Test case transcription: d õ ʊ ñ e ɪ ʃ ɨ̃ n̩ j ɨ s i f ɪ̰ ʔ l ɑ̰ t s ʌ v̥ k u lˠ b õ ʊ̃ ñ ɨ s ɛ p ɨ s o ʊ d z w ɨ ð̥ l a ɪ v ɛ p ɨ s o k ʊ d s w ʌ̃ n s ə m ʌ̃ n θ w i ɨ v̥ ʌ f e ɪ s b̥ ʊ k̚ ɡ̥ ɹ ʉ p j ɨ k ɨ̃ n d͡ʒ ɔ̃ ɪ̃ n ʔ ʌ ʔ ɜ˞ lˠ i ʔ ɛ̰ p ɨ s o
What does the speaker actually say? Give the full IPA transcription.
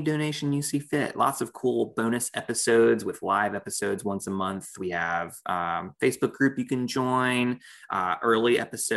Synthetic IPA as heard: d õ ʊ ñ e ɪ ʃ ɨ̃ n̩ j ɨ s i f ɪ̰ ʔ l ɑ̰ t s ʌ v̥ kʰ u lˠ b õ ʊ̃ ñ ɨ s ɛ p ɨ s o ʊ d z w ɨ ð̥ l a ɪ v ɛ p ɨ s o ʊ d z w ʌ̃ n s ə m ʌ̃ n θ w i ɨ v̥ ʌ f e ɪ s b̥ ʊ k̚ ɡ̥ ɹ ʉ p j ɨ k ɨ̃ n d͡ʒ ɔ̃ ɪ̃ n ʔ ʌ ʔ ɜ˞ lˠ i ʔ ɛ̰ p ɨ s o